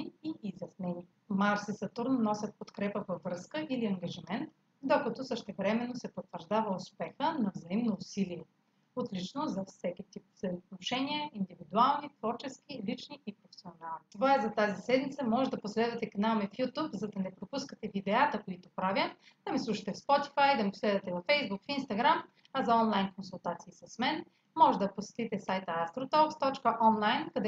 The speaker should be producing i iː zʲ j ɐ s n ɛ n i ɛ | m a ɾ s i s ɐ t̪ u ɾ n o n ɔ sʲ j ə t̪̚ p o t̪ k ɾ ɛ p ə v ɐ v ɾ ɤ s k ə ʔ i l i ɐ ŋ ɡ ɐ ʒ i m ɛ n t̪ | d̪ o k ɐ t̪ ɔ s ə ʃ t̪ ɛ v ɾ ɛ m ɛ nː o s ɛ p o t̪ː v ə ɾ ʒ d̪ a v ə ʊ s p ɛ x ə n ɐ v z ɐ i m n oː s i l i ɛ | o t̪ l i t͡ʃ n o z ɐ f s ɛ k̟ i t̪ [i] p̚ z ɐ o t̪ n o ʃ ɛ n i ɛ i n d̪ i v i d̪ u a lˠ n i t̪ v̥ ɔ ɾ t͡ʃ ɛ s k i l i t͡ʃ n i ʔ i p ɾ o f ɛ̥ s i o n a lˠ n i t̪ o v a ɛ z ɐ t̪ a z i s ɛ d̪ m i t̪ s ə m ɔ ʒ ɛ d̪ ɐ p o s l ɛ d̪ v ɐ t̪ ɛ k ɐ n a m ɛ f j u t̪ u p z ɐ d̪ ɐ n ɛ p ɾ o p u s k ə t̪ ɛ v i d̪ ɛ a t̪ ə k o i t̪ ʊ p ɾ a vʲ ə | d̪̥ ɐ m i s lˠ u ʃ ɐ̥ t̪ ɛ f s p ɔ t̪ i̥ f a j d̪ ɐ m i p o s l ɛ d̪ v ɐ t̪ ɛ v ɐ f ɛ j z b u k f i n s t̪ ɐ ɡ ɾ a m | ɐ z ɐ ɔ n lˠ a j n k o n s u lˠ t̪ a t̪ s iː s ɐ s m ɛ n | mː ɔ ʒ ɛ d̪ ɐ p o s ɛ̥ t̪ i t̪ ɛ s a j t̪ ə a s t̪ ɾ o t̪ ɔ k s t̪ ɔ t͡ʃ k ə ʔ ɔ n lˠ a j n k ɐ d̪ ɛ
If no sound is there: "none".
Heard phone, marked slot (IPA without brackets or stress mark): i